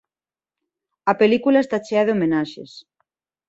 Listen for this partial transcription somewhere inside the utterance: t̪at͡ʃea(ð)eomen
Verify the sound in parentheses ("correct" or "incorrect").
correct